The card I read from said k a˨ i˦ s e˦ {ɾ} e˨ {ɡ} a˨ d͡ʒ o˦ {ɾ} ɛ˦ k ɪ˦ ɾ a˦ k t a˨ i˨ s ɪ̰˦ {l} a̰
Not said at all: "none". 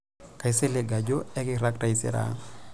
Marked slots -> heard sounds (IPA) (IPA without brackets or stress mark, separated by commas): l, ɡ, none, ɾ